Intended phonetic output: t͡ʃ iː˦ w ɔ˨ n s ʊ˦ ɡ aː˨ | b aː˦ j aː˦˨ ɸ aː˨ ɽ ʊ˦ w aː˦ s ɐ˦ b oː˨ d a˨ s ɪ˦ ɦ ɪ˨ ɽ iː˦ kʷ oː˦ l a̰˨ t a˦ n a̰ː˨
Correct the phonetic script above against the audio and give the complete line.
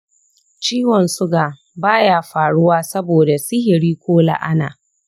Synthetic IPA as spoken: t͡ʃ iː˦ w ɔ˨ n s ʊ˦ ɡ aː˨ | b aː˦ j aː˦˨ ɸ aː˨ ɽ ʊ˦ w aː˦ s ɐ˦ b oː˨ d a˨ s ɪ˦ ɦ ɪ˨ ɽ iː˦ kʷ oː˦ l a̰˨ ʔ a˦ n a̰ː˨